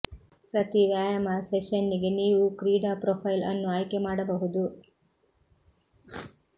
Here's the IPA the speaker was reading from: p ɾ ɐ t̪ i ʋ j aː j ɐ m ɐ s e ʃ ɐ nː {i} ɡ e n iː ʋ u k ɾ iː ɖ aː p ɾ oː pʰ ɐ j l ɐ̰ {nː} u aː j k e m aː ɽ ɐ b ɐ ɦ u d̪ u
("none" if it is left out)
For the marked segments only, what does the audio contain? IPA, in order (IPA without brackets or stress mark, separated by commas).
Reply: i, nː